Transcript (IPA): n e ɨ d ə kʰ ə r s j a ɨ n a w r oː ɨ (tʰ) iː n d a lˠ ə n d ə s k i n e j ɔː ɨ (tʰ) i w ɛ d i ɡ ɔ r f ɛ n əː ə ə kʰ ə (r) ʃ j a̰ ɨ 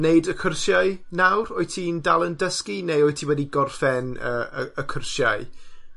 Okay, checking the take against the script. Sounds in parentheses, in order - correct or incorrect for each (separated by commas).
correct, correct, correct